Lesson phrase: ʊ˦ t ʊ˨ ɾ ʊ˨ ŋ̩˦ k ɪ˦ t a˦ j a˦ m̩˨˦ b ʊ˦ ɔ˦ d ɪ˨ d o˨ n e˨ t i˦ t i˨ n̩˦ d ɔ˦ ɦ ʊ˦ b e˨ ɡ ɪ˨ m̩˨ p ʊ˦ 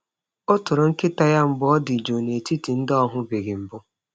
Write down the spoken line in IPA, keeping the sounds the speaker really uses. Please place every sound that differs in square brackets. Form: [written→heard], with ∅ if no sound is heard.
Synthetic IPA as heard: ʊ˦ t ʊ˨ ɾ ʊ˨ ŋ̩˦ k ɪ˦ t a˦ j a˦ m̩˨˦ b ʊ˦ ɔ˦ d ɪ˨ [d→d͡ʒ] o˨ n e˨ t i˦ t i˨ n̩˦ d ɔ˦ ɦ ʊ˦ b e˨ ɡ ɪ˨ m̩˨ [p→b] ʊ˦